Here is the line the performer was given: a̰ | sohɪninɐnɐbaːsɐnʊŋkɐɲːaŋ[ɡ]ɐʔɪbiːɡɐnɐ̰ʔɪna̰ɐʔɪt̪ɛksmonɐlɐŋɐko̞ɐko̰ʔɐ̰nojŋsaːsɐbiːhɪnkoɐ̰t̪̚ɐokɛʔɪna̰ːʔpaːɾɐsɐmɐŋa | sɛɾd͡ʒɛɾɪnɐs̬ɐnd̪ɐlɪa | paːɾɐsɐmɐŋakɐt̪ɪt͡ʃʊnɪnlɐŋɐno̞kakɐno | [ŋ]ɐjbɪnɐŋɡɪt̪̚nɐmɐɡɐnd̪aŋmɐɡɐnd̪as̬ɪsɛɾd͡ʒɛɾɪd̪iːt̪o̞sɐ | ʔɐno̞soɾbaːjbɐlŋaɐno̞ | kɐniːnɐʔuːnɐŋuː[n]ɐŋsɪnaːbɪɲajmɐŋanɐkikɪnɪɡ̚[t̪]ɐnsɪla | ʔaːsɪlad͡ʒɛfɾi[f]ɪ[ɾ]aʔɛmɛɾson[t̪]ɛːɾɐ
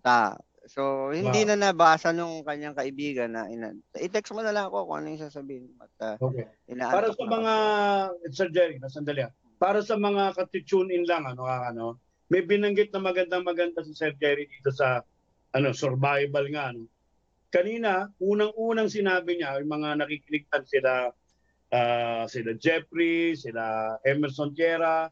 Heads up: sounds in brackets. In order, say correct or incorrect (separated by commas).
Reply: incorrect, incorrect, correct, correct, incorrect, incorrect, correct